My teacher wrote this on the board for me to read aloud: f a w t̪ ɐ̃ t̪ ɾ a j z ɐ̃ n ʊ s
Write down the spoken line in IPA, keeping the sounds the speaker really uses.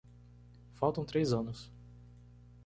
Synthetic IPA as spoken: f a w t̪ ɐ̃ t̪ ɾ e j z ɐ̃ n ʊ s